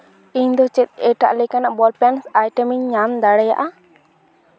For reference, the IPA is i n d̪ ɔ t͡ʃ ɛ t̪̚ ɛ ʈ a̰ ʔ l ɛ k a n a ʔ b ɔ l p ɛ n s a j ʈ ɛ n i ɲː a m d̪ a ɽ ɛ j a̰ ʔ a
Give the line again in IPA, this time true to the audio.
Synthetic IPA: i ɲ d̪ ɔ t͡ʃ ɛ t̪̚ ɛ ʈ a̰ ʔ l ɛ k a n a ʔ b ɔ l p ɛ n s a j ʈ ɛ m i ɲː a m d̪ a ɽ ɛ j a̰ ʔ a